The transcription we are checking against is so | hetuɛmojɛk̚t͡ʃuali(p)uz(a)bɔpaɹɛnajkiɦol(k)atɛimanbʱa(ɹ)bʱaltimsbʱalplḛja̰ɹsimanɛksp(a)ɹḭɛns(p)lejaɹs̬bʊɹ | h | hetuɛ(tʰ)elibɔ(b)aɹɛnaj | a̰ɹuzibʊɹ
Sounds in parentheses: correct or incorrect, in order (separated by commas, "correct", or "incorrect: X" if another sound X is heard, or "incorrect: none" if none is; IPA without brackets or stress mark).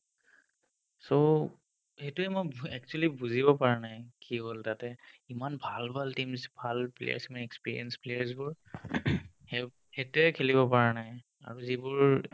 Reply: incorrect: b, incorrect: i, incorrect: t, incorrect: l, incorrect: i, correct, incorrect: kʰ, incorrect: p